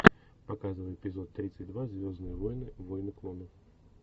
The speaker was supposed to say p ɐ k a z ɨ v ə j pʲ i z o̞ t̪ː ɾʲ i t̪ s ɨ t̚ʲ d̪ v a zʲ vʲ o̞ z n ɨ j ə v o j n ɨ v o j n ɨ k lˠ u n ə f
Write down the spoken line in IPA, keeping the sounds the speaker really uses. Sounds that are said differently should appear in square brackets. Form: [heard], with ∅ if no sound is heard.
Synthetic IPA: p ɐ k a z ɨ v ə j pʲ [ɪ] z o̞ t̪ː ɾʲ i t̪ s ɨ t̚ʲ d̪ v a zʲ vʲ o̞ z n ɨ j ə v o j n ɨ v o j n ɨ k lˠ [o] n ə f